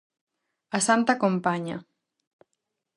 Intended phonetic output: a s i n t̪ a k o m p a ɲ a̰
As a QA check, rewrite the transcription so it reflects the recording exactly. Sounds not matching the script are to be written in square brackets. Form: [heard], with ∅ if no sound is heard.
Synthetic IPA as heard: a s [a] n t̪ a k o m p a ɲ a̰